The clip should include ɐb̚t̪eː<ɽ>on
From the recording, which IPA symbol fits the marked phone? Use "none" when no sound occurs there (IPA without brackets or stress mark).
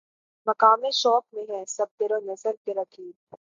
ɾ